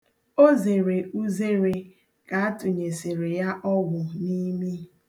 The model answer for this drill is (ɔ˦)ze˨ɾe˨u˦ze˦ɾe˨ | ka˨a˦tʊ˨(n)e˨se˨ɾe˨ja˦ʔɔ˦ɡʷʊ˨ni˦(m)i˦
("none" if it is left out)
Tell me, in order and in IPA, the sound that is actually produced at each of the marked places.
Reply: o˦, ɲ, m

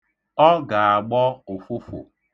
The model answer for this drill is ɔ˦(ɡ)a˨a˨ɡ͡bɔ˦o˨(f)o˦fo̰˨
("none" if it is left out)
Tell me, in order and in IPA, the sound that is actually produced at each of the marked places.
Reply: ɡ, f

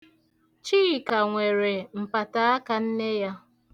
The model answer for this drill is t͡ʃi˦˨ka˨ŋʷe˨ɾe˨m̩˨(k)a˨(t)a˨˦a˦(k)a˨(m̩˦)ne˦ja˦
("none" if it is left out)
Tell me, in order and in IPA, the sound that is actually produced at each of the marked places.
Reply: p, t, k, n̩˦

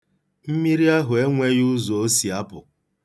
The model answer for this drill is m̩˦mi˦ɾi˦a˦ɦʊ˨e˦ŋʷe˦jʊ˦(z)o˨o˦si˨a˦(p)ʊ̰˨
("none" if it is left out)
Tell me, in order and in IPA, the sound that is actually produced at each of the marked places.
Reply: z, p

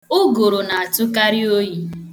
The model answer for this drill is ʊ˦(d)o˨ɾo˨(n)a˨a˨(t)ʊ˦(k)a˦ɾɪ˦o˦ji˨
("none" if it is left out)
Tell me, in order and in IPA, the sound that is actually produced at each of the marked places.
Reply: ɡ, n, t, k

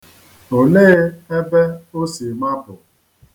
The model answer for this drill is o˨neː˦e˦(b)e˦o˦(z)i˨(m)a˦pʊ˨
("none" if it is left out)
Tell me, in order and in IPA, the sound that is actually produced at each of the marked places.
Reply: b, s, m

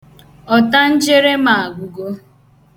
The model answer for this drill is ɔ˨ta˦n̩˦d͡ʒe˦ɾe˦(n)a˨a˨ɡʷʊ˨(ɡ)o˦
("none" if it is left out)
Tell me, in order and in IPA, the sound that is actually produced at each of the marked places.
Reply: m, ɡ

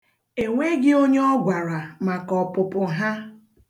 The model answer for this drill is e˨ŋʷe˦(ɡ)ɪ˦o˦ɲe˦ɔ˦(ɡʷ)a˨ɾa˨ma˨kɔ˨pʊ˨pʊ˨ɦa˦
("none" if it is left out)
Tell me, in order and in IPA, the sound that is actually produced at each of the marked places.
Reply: ɡ, ɡʷ

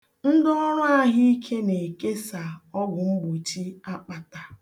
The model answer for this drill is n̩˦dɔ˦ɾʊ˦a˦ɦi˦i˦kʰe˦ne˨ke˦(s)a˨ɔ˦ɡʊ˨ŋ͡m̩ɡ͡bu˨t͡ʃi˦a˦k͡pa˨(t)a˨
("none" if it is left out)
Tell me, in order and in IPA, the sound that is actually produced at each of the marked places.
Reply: s, t

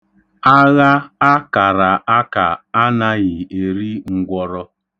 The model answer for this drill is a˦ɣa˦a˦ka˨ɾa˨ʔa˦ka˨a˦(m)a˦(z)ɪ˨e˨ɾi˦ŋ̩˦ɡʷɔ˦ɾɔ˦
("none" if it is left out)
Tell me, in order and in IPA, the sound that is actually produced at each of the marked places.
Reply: n, ɣ

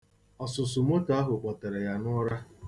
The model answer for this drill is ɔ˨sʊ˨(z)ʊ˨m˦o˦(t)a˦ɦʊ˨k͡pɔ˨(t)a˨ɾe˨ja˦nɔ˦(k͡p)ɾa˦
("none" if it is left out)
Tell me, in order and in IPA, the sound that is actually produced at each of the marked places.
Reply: s, t, t, none

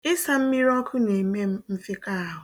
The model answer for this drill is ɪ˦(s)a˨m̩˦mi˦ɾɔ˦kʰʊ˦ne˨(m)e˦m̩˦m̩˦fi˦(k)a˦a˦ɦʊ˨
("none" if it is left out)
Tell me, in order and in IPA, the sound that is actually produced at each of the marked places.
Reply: s, m, k

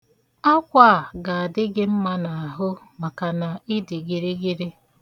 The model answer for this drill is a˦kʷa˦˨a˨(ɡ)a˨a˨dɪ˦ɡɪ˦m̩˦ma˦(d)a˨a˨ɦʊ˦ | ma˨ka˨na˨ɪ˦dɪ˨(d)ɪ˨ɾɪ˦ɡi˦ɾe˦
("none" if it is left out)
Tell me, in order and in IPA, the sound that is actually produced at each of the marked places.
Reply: ɡ, n, ɡ

